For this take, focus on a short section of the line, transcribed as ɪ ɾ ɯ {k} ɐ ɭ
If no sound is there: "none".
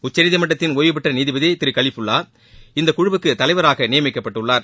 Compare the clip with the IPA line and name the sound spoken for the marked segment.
k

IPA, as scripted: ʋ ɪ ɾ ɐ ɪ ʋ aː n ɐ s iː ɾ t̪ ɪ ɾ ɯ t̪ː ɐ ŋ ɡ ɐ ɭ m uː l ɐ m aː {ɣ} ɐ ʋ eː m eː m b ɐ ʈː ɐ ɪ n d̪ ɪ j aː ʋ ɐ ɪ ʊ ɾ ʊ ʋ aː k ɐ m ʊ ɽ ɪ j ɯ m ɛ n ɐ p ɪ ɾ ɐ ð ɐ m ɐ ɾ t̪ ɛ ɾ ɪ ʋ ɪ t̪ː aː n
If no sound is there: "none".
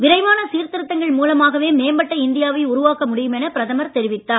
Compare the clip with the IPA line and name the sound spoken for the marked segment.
ɣ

